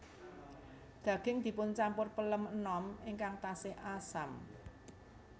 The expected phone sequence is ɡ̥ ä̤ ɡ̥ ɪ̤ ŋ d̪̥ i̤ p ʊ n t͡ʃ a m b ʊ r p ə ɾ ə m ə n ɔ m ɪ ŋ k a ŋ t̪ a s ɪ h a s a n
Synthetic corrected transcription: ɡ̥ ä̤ ɡ̥ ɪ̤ ŋ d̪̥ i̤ p ʊ n t͡ʃ a m p ʊ r p ə l ə m ə n ɔ m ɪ ŋ k a ŋ t̪ a s ɪ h a s a m